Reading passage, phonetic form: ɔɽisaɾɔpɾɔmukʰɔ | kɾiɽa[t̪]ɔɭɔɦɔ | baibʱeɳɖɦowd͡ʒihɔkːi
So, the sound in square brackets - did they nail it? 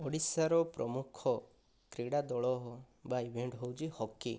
no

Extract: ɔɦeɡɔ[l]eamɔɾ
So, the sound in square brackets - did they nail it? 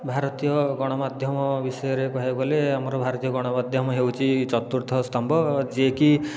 yes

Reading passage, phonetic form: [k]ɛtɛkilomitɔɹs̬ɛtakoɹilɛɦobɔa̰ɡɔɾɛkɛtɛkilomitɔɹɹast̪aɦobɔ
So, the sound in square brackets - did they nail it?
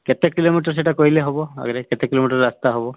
yes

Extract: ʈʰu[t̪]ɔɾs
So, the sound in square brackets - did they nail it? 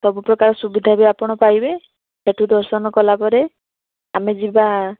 no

